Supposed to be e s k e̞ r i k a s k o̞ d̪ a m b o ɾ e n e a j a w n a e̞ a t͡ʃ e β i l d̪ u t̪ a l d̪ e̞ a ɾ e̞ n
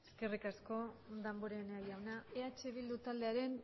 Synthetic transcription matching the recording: e s k e̞ r i k a s k o̞ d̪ a m b o ɾ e n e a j a w n a e̞ a t͡ʃ e β i l d̪ u t̪ a l d̪ e̞ a ɾ e̞ n